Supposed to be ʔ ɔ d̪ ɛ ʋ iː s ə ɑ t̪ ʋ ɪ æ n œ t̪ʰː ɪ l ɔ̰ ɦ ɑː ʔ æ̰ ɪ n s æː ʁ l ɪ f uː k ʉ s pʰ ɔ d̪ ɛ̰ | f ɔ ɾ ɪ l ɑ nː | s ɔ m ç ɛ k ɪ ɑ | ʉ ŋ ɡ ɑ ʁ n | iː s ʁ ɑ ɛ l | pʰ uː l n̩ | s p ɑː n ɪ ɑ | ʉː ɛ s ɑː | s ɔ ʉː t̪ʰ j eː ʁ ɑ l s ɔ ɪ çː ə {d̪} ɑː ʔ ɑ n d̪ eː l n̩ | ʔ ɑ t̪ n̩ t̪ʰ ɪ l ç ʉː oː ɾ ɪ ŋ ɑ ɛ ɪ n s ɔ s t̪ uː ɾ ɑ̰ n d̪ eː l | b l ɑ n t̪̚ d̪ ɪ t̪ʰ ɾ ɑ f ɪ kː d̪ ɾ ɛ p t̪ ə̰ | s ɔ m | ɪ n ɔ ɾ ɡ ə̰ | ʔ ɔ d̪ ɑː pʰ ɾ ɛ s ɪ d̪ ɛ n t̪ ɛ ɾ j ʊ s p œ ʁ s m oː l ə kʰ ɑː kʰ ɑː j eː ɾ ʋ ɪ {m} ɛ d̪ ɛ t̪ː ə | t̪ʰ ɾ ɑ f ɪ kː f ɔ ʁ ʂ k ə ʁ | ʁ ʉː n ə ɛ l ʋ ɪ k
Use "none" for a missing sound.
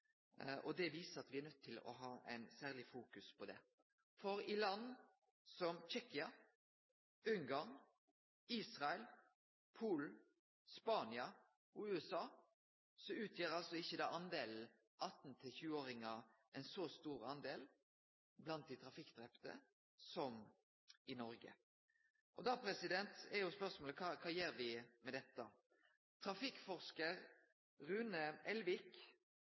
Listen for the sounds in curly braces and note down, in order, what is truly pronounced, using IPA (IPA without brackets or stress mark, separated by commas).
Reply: d̪, m